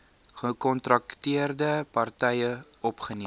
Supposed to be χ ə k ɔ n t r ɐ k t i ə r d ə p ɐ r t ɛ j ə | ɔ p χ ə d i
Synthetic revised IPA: χ ə k ɔ n t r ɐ k t i ə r d ə p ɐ r t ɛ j ə | ɔ p χ ə n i